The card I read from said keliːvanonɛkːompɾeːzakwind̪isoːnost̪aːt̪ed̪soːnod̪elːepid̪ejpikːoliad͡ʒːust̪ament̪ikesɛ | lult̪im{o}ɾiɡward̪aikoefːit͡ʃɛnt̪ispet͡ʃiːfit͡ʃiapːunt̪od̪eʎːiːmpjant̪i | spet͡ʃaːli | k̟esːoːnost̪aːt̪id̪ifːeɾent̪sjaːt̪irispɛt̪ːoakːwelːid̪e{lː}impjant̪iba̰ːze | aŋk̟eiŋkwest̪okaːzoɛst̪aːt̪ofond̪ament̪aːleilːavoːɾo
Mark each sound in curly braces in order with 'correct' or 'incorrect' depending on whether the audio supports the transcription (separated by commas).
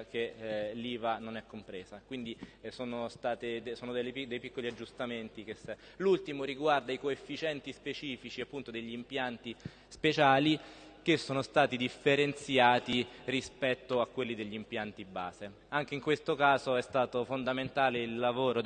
correct, incorrect